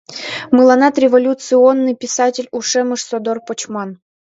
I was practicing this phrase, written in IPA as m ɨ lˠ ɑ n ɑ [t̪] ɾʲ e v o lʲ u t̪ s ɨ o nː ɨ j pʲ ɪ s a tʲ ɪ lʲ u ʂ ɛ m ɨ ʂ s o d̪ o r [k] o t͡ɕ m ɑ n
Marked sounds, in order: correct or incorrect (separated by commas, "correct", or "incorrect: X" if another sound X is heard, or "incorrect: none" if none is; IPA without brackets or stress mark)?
correct, incorrect: p